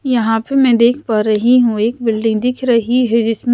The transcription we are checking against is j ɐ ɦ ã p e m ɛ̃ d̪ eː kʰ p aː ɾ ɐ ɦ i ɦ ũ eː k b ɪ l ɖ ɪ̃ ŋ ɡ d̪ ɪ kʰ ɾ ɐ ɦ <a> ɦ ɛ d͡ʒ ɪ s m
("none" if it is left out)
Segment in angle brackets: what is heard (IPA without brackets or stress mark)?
i